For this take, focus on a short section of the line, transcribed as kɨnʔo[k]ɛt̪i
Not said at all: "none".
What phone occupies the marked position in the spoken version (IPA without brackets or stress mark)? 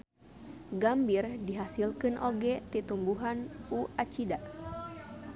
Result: ɡ